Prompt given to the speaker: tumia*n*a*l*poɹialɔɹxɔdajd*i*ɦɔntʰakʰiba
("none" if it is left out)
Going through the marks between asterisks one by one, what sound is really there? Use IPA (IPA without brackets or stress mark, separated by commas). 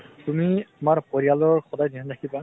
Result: m, ɹ, i